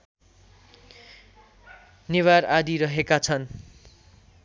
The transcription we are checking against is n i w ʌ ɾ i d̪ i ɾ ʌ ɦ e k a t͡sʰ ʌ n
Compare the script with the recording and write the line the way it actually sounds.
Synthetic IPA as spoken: n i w a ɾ a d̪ i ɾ ʌ ɦ e k a t͡sʰ ʌ n